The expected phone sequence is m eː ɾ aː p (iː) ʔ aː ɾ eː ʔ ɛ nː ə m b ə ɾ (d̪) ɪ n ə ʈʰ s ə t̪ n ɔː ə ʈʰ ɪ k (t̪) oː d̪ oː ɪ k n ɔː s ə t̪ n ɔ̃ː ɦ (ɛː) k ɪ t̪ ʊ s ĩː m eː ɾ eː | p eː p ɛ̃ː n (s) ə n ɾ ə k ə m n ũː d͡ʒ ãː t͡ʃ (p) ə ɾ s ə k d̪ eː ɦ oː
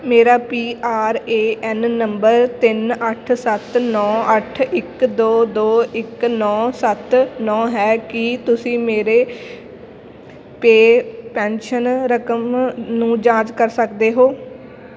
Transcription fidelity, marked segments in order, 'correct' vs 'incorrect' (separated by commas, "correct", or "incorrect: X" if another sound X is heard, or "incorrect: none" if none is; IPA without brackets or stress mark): correct, incorrect: t̪, incorrect: d̪, correct, incorrect: ʃ, incorrect: k